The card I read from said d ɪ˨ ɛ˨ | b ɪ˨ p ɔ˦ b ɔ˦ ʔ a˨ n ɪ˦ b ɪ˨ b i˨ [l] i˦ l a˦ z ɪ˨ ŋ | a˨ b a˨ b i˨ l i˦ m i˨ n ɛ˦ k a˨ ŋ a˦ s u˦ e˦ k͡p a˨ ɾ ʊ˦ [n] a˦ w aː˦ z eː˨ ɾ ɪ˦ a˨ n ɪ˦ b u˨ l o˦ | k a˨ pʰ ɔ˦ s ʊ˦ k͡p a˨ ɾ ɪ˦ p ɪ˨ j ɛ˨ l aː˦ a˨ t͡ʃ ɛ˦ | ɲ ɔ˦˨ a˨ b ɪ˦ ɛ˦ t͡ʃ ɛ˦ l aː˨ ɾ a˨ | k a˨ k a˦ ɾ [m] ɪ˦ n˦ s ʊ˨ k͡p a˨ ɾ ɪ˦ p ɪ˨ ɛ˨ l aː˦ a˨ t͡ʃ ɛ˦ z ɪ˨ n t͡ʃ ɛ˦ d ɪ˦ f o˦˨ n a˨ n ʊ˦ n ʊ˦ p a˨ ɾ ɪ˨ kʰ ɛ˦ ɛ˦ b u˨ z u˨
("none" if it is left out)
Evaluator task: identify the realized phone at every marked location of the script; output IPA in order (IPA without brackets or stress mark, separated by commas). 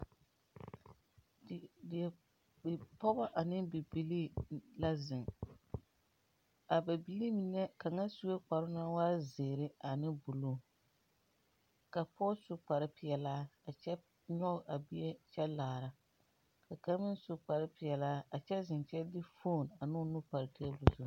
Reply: l, n, m